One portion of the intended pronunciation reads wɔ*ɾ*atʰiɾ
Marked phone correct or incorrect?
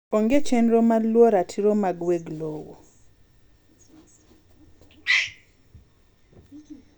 correct